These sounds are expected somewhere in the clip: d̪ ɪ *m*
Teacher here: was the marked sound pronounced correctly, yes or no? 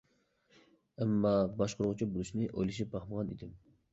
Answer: yes